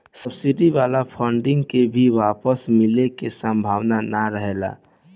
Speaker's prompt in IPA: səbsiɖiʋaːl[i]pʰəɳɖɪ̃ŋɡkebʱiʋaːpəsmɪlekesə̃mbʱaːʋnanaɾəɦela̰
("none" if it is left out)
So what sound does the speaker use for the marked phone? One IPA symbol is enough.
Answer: a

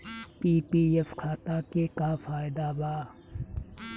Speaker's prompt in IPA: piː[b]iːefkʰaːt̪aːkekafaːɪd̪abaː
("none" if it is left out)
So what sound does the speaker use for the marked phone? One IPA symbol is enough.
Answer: p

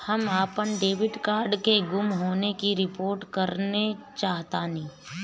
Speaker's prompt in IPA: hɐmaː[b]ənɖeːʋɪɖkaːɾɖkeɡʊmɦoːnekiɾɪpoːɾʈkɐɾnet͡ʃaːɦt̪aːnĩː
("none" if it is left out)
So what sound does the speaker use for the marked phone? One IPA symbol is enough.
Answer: p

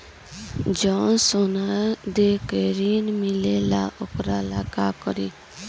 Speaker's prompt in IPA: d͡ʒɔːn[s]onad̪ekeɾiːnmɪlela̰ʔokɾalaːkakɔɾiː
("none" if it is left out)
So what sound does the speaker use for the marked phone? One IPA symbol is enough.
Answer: s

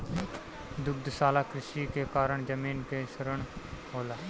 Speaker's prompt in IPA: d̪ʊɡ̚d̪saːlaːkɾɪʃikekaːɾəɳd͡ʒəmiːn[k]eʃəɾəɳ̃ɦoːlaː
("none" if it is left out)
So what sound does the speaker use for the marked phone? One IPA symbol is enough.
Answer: k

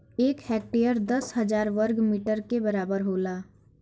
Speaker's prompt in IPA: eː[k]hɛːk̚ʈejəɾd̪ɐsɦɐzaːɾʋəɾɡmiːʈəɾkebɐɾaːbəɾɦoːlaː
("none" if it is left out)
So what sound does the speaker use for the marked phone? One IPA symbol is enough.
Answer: k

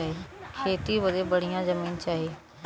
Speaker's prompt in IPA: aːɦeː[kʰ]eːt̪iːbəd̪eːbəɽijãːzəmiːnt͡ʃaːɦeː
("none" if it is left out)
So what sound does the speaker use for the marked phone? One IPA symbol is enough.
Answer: kʰ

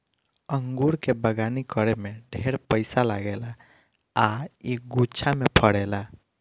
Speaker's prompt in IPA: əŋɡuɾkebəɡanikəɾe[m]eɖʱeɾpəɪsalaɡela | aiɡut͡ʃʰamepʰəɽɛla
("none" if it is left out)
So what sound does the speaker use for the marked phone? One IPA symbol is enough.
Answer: m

